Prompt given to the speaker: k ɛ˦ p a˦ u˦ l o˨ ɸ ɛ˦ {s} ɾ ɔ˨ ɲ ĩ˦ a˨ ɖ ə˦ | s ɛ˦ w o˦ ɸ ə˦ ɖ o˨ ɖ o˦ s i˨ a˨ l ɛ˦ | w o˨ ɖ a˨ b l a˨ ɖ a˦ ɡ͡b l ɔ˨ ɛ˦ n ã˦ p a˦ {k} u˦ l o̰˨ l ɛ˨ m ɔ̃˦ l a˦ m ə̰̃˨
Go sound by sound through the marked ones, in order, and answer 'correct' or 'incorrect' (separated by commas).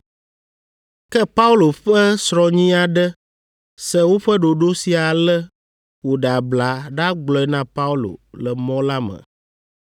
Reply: correct, incorrect